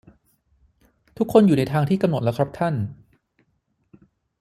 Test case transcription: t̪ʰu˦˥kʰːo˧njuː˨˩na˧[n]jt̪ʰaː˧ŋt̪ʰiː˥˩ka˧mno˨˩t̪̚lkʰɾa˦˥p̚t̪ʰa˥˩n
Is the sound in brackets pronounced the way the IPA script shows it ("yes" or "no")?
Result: no